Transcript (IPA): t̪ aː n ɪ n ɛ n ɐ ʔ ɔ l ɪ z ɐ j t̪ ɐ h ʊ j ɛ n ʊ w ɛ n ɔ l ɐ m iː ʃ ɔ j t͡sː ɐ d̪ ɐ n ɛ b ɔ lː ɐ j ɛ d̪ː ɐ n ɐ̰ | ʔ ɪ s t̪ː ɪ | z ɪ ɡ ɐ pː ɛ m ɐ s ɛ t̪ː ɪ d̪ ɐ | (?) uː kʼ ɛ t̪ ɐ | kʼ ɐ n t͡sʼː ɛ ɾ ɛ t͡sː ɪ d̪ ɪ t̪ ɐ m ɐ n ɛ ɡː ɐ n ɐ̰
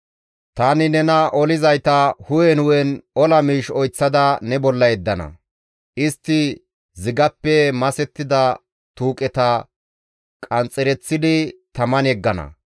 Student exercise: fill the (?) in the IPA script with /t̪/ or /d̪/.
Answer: t̪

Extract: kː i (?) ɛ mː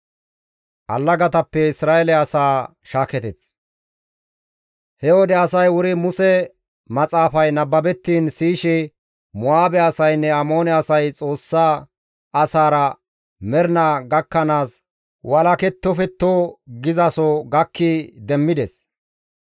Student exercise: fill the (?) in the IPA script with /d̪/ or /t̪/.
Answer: d̪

